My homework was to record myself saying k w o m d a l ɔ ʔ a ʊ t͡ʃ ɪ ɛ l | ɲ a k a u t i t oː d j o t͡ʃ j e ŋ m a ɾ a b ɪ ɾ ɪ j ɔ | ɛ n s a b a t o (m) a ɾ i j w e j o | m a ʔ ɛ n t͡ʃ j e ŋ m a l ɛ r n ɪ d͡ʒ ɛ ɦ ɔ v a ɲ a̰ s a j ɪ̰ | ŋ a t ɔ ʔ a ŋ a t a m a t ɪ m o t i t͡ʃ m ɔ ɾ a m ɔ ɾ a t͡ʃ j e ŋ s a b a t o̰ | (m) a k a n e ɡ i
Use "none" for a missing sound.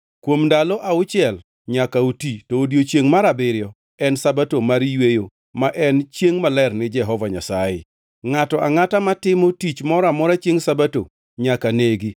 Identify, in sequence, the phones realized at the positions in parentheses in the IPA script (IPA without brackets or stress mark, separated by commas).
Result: m, ɲ